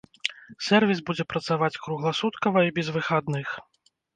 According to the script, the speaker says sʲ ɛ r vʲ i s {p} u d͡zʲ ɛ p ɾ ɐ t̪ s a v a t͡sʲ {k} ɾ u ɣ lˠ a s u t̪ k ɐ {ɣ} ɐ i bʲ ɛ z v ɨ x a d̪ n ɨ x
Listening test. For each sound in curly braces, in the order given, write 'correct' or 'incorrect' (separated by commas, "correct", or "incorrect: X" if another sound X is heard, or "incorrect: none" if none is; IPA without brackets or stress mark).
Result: incorrect: b, correct, incorrect: v